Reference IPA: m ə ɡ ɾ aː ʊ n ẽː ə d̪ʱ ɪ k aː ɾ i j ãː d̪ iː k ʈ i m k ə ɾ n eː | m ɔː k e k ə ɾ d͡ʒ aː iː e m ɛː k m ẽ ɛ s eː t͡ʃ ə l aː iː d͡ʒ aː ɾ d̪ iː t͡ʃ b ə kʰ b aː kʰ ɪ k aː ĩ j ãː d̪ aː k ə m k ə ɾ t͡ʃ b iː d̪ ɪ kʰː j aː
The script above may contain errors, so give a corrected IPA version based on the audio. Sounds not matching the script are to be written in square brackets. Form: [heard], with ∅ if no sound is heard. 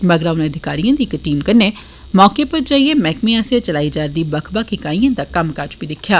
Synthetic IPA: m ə ɡ ɾ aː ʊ n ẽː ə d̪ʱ ɪ k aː ɾ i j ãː d̪ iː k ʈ [iː] m k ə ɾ n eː | m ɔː k e [p] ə ɾ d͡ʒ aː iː e m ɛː k m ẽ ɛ s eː t͡ʃ ə l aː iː d͡ʒ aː ɾ d̪ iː [∅] b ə kʰ b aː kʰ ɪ k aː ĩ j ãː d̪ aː k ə m k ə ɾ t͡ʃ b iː d̪ ɪ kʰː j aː